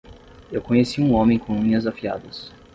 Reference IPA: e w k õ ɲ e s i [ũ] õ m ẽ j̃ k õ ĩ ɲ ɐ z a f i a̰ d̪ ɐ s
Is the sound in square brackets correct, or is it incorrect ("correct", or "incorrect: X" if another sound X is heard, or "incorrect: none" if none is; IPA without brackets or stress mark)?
correct